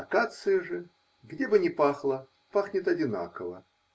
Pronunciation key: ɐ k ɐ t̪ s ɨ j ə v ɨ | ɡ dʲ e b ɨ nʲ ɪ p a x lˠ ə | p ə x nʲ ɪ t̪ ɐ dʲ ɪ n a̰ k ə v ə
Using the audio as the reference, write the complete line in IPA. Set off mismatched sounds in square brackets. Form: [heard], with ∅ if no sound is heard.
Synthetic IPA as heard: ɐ k [a] t̪ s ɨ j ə [ʐ] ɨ | ɡ dʲ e b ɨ nʲ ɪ p a x lˠ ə | p [a] x nʲ ɪ t̪ ɐ dʲ ɪ n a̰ k ə v ə